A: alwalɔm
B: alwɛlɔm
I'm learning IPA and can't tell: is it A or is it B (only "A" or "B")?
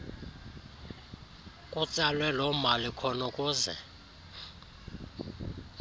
B